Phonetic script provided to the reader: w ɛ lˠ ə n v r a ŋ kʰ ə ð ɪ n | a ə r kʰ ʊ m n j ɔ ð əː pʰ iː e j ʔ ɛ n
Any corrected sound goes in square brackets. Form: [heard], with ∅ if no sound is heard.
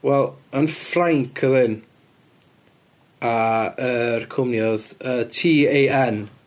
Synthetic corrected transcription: w ɛ lˠ ə n [f] r a ŋ kʰ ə ð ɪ n | a ə r kʰ ʊ m n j ɔ ð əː [tʰ] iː e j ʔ ɛ n

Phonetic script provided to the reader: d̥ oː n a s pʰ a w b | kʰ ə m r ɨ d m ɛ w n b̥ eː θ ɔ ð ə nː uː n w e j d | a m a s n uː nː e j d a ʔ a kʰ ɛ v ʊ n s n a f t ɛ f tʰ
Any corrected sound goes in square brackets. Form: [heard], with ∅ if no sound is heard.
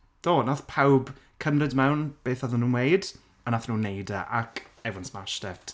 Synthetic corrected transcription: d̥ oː n a [θ] pʰ a w b | kʰ ə m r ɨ d m ɛ w n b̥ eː θ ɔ ð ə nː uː n w e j d | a [n] a [θ] n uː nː e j d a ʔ a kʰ ɛ v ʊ n s [m] a [ʃ] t ɛ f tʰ

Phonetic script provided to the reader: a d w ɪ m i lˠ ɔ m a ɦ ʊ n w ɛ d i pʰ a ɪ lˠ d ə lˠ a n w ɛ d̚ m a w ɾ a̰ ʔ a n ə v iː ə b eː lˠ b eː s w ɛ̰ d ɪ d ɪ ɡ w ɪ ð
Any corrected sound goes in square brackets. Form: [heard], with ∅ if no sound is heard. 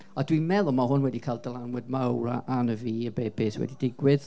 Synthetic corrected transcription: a d w [i] m [ɛ] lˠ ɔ m a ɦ ʊ n w ɛ d i [kʰ] a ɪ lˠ d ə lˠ a n w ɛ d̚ m a w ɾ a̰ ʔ a n ə v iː ə b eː [∅] b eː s w ɛ̰ d [i] d ɪ ɡ w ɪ ð

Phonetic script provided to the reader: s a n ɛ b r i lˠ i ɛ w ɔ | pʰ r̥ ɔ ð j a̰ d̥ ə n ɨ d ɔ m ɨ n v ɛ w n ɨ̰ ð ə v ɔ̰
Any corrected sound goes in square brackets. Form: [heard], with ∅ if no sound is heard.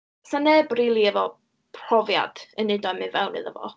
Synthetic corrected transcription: s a n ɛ b r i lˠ i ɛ [v] ɔ | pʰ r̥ ɔ [v] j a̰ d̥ ə n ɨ d ɔ m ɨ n v ɛ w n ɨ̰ ð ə v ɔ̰

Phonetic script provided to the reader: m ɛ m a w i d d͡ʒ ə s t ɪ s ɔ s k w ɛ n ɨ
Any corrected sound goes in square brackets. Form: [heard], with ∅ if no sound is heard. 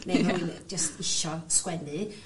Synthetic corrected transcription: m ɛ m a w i [n] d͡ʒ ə s t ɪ [ʃ] ɔ s k w ɛ n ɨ

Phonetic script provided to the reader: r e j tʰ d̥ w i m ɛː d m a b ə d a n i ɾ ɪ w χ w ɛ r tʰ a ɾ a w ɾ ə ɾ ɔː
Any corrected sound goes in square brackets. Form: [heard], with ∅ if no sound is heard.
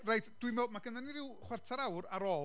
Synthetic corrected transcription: r e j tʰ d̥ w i m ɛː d m a [ɡ] ə [n] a n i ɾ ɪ w χ w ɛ r tʰ a ɾ a w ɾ [a] ɾ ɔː

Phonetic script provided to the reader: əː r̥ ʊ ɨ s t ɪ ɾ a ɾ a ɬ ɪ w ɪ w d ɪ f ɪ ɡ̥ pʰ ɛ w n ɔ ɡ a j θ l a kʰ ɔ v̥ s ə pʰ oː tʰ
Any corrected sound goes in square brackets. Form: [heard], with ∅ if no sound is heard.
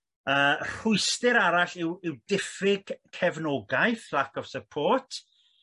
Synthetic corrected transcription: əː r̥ ʊ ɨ s t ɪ ɾ a ɾ a ɬ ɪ w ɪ w d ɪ f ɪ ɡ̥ [kʰ] ɛ [v] n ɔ ɡ a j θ l a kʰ ɔ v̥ s ə pʰ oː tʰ

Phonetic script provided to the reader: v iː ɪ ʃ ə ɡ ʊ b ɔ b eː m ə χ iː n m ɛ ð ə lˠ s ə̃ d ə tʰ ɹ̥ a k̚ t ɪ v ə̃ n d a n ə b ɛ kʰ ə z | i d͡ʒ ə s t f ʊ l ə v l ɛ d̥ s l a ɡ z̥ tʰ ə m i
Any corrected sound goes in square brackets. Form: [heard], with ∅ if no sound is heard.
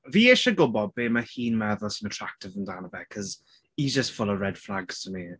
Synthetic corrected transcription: v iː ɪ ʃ ə ɡ ʊ b ɔ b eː m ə [h] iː n m ɛ ð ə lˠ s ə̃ [n] ə tʰ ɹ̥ a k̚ t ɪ v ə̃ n d a n ə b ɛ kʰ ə z | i d͡ʒ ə s t f ʊ l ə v [ɹ] ɛ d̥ [f] l a ɡ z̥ tʰ ə m i

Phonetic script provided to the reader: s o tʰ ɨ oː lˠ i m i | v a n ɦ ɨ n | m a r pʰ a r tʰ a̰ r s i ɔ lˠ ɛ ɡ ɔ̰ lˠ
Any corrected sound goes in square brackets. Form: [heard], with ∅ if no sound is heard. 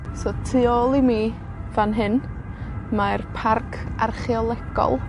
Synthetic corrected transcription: s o tʰ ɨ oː lˠ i m i | v a n ɦ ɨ n | m a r pʰ a r [kʰ] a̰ r [χ] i ɔ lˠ ɛ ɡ ɔ̰ lˠ

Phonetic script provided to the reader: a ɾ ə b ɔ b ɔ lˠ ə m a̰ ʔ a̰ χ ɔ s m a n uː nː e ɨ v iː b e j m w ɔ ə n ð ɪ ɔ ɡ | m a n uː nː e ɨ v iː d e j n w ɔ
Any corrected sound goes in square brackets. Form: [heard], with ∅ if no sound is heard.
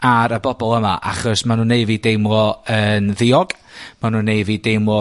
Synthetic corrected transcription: a ɾ ə b ɔ b ɔ lˠ ə m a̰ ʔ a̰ χ ɔ s m a n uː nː e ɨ v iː [d] e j m w ɔ ə n ð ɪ ɔ ɡ | m a n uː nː e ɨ v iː d e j [m] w ɔ

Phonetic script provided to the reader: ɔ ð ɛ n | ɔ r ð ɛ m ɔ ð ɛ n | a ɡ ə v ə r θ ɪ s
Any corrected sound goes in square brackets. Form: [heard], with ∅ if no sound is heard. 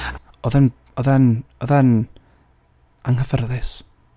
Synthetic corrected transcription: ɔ ð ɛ n | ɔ [∅] ð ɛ [n] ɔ ð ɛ n | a [ŋ] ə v ə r [ð] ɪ s

